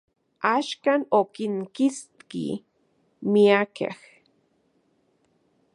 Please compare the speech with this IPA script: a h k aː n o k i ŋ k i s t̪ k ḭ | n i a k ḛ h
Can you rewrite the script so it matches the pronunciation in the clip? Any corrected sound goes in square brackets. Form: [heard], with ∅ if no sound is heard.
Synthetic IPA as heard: a [ʃ] k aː n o k i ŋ k i s t̪ k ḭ | [m] i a k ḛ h